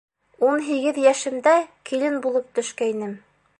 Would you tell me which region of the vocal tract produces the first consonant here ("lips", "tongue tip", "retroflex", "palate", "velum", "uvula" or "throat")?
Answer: tongue tip